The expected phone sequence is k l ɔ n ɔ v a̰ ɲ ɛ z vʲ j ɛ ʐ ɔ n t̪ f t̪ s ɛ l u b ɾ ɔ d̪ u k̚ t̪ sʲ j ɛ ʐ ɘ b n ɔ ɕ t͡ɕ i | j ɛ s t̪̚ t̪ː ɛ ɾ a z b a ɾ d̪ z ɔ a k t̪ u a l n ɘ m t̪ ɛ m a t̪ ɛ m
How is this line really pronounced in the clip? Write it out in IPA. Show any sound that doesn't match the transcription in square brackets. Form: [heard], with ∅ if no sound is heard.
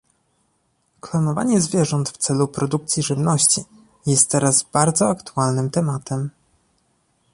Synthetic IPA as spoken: k l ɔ n ɔ v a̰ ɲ ɛ z vʲ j ɛ ʐ ɔ n t̪ f t̪ s ɛ l u [p] ɾ ɔ d̪ u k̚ t̪ sʲ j [i] ʐ ɘ [v] n ɔ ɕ t͡ɕ i | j ɛ s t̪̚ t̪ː ɛ ɾ a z b a ɾ d̪ z ɔ a k t̪ u a l n ɘ m t̪ ɛ m a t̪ ɛ m